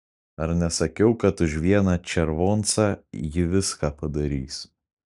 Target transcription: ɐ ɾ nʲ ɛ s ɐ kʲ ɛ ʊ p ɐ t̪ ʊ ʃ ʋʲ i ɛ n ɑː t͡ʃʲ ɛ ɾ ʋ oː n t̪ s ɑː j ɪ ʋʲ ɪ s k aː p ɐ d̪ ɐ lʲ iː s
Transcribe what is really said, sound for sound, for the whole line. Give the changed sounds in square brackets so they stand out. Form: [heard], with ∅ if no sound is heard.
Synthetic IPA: ɐ ɾ nʲ ɛ s ɐ kʲ ɛ ʊ [k] ɐ t̪ ʊ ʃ ʋʲ i ɛ n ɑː t͡ʃʲ ɛ ɾ ʋ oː n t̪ s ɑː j ɪ ʋʲ ɪ s k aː p ɐ d̪ ɐ [ɾʲ] iː s